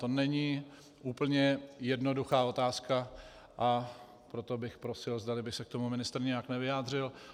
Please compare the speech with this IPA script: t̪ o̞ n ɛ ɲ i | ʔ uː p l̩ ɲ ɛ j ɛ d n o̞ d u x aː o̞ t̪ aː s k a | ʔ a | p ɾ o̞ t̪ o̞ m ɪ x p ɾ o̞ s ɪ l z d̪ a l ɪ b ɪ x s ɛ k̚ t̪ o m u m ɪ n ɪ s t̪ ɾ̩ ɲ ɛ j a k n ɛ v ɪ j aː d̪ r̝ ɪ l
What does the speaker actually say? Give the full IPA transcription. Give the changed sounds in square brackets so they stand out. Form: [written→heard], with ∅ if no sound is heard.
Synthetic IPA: t̪ o̞ n ɛ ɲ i | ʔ uː p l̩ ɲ ɛ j ɛ d n o̞ d u x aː o̞ t̪ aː s k a | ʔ a | p ɾ o̞ t̪ o̞ [m→b] ɪ x p ɾ o̞ s ɪ l z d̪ a l ɪ b ɪ x s ɛ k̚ t̪ o m u m ɪ n ɪ s t̪ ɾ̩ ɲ ɛ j a k n ɛ v ɪ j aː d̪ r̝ ɪ l